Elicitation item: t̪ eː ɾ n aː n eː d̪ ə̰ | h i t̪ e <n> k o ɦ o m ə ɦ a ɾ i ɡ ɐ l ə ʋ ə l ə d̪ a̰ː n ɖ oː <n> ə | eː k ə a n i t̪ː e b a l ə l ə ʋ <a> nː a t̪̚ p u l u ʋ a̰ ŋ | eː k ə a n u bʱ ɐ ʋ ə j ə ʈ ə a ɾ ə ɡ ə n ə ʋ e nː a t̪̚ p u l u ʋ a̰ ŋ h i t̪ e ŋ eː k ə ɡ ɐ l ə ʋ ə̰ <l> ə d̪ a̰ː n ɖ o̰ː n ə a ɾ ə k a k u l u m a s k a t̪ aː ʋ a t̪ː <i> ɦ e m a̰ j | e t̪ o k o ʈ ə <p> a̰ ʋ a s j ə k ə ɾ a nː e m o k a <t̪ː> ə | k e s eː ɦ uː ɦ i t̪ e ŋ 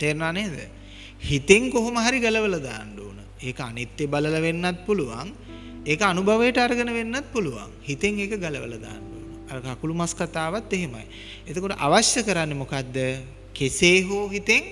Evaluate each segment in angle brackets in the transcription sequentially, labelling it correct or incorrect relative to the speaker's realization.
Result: incorrect: ŋ, correct, incorrect: e, correct, incorrect: e, incorrect: ʔ, incorrect: d̪ː

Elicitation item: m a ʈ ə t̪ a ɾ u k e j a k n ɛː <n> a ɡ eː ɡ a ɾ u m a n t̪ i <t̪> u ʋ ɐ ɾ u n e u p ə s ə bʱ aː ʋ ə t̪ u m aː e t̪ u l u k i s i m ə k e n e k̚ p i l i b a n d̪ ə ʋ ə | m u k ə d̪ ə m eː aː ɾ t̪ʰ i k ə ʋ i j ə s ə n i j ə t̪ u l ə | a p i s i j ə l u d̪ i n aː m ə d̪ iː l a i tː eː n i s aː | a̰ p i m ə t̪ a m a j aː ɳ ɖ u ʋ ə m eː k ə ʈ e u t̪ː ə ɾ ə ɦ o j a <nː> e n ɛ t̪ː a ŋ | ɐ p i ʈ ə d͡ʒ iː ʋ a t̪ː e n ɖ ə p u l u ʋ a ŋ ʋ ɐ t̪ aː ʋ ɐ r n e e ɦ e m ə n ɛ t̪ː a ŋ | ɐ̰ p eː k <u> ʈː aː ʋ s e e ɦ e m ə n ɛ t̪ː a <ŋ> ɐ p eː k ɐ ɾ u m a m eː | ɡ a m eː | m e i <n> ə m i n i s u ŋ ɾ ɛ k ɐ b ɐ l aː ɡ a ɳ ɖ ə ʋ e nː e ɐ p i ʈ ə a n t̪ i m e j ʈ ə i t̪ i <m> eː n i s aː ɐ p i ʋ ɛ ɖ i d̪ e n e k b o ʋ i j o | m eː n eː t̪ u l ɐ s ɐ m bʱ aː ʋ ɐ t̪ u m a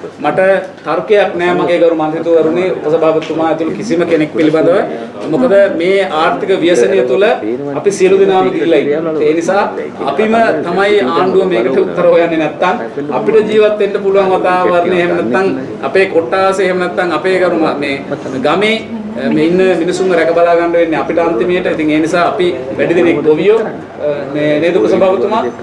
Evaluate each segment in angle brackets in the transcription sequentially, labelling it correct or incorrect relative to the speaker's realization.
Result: incorrect: m, correct, correct, incorrect: o, correct, incorrect: nː, incorrect: ŋ

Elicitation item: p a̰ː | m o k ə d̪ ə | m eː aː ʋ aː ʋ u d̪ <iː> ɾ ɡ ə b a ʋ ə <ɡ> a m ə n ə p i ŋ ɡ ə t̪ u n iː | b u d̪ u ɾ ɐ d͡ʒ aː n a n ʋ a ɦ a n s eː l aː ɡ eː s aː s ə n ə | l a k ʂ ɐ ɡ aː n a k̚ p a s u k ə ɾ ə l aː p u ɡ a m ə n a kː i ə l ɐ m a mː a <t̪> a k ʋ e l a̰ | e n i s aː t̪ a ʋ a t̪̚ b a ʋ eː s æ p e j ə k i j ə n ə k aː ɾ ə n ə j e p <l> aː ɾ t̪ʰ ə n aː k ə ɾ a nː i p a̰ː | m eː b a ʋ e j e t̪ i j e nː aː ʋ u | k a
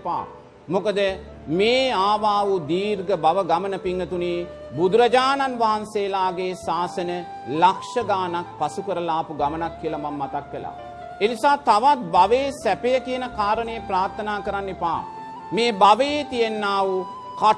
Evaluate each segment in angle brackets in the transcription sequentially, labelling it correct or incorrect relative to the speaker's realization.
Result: correct, correct, correct, incorrect: ɾ

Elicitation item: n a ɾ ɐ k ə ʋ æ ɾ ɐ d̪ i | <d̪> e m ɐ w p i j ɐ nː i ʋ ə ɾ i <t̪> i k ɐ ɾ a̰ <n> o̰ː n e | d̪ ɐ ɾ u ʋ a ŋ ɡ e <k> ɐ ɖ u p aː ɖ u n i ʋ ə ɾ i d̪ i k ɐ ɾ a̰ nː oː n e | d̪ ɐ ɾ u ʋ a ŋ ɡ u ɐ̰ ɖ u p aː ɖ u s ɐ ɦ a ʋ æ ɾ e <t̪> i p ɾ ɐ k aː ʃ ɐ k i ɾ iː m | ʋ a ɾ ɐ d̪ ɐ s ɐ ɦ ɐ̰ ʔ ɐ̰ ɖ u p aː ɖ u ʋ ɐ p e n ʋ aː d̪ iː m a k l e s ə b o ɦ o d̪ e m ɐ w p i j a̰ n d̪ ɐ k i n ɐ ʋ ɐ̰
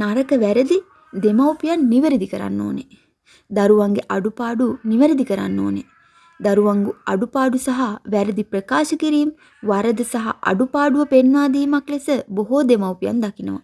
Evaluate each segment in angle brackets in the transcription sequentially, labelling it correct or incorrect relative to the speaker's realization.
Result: correct, incorrect: d̪, incorrect: nː, incorrect: ʔ, incorrect: d̪

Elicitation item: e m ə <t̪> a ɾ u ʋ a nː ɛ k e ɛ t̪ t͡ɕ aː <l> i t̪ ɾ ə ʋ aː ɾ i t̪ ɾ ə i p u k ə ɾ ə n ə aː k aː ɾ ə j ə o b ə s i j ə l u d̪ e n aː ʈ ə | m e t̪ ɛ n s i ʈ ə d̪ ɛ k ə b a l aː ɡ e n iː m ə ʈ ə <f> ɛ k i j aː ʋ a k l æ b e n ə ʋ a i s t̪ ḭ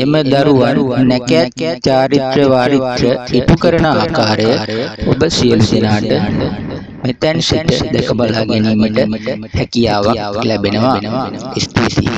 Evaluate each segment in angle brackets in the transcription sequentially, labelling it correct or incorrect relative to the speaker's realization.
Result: incorrect: d̪, incorrect: ɾ, incorrect: h

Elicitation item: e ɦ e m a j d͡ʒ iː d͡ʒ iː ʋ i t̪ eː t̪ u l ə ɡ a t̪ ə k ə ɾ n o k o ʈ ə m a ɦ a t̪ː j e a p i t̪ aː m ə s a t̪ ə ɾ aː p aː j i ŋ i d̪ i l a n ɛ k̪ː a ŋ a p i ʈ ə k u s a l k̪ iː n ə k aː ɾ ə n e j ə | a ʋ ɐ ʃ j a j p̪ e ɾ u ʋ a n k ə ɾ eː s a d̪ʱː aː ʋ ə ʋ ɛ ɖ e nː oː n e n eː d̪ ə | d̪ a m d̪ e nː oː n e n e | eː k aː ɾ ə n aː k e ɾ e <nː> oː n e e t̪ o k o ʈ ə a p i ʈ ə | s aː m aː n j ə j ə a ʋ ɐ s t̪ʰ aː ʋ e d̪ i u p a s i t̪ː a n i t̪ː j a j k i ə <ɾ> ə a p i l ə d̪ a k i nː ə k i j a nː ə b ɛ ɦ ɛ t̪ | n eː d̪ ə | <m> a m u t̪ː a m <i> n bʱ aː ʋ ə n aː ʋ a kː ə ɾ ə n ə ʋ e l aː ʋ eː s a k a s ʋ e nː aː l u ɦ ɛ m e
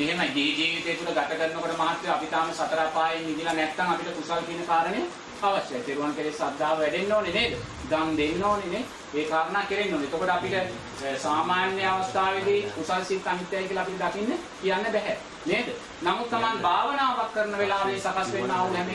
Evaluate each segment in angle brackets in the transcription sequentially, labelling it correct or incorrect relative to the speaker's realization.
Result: correct, incorrect: l, incorrect: n, incorrect: a

